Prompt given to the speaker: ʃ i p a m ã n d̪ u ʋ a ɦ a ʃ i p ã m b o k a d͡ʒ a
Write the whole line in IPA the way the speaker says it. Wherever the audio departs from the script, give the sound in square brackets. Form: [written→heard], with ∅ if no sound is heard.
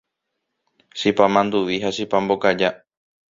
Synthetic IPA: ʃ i p a m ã n d̪ u ʋ [a→i] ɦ a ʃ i p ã m b o k a d͡ʒ a